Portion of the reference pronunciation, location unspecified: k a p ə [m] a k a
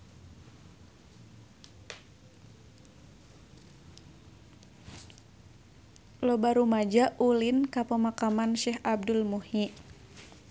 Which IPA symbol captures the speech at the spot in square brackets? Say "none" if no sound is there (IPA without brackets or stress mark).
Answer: m